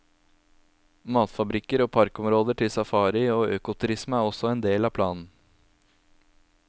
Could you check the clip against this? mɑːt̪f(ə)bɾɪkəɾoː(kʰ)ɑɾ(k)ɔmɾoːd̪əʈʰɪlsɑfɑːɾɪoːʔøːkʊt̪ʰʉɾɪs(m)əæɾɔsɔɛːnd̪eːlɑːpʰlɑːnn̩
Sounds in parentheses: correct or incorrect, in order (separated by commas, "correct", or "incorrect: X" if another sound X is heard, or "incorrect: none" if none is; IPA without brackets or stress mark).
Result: incorrect: ɑ, incorrect: pʰ, correct, correct